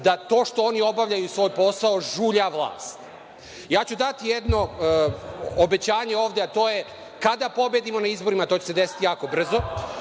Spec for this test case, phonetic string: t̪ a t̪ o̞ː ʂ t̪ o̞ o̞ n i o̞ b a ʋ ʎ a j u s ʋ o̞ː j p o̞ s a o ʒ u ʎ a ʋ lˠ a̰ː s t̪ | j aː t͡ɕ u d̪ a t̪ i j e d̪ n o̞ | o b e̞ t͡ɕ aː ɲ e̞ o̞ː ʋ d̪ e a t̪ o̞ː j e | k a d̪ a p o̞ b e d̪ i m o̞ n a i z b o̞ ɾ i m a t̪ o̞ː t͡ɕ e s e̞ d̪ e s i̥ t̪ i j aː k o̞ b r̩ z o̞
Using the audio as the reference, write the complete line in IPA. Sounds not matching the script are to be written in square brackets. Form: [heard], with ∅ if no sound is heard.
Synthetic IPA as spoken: [d̪] a t̪ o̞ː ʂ t̪ o̞ o̞ n i o̞ b a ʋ ʎ a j u s ʋ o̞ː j p o̞ s a o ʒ u ʎ a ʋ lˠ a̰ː s t̪ | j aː t͡ɕ u d̪ a t̪ i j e d̪ n o̞ | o b e̞ t͡ɕ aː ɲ e̞ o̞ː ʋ d̪ e a t̪ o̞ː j e | k a d̪ a p o̞ b e d̪ i m o̞ n a i z b o̞ ɾ i m a t̪ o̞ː t͡ɕ e s e̞ d̪ e s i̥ t̪ i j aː k o̞ b r̩ z o̞